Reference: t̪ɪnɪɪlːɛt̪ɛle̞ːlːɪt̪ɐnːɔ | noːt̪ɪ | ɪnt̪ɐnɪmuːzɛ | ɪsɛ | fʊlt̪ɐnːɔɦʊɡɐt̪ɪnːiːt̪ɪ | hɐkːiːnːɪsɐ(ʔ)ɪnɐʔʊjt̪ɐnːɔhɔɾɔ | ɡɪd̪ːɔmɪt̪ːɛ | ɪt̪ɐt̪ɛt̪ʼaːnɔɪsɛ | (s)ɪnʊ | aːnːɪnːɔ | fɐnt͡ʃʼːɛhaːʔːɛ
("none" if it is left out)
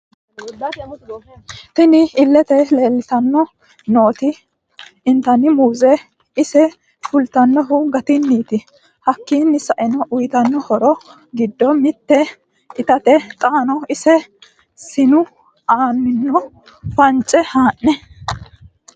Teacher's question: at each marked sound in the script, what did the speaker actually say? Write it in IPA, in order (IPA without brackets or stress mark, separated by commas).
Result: ʔ, s